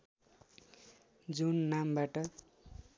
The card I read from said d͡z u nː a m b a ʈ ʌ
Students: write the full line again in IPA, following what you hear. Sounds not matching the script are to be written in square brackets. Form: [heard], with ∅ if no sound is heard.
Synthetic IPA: d͡z u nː a m b a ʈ ʌ